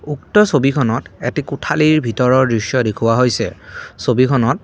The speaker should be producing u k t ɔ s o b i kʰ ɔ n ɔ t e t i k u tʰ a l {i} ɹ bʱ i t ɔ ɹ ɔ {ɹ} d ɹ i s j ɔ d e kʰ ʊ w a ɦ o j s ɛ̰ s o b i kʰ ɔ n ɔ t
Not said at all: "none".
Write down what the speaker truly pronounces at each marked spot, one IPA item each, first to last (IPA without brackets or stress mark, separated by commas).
i, ɹ